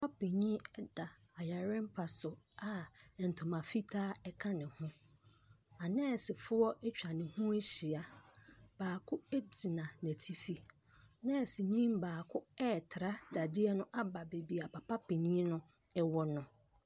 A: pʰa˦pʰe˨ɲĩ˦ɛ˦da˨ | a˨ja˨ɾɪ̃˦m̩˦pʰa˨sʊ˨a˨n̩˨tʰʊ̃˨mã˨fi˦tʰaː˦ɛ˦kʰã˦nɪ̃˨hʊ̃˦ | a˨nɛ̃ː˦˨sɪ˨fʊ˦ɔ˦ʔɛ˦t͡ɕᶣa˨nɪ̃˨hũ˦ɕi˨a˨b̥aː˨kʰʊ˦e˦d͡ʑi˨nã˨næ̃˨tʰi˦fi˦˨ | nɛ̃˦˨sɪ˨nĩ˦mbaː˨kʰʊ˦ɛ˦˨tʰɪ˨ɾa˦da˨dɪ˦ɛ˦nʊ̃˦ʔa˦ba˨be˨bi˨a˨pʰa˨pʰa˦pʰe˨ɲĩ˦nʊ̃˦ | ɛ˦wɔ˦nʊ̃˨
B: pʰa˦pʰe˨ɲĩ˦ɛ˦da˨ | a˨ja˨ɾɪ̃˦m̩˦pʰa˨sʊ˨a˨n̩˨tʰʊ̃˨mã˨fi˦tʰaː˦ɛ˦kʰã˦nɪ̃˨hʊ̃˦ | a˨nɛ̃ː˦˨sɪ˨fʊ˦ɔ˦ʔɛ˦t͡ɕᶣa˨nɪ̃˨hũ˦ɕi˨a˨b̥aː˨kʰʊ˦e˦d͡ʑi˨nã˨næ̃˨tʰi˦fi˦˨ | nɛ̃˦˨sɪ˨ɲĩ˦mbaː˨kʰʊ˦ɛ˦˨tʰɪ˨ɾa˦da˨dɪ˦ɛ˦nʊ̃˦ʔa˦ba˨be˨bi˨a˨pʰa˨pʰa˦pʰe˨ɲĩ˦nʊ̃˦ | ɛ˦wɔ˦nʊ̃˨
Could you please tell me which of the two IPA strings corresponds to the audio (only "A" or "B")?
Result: B